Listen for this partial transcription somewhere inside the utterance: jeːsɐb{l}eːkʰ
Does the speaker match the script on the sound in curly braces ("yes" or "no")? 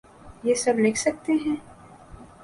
yes